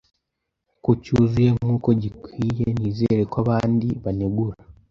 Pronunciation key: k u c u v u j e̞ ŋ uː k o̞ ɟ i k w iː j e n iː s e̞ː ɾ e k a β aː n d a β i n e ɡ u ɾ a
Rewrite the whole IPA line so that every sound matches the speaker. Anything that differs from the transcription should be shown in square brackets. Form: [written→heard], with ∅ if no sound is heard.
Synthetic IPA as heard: k u c u [v→z] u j e̞ ŋ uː k o̞ ɟ i k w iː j e n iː [s→z] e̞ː ɾ e k a β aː n d [a→i] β [i→a] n e ɡ u ɾ a